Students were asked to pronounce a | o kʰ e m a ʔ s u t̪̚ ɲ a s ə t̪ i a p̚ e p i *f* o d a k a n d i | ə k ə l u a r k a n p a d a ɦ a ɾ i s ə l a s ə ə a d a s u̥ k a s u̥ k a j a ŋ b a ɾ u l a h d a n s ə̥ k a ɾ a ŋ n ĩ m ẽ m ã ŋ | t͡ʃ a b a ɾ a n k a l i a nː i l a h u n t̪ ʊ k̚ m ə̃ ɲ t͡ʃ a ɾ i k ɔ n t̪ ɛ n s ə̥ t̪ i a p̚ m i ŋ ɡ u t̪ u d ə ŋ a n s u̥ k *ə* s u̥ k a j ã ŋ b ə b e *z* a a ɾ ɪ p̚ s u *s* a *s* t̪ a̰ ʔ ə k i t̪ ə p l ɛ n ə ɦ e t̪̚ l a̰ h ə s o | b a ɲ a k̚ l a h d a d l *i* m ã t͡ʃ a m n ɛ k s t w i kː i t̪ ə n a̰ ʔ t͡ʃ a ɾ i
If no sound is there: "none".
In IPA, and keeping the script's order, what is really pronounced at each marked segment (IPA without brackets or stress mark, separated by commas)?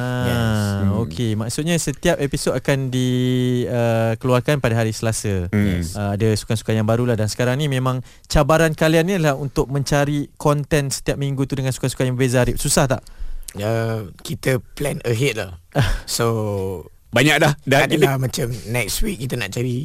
s, a, z, s, h, a